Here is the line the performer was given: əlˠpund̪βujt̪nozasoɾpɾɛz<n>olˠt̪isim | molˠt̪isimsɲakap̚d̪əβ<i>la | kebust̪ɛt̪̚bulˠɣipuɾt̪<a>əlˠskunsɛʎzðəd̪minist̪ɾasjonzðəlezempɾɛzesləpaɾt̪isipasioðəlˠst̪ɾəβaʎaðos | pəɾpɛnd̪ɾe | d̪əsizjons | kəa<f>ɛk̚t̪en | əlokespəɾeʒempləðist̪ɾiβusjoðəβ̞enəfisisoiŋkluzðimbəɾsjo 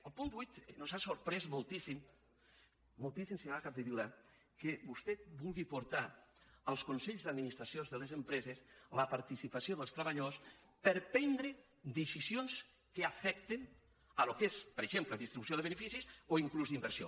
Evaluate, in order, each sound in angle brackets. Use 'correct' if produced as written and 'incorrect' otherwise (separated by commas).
incorrect, correct, correct, correct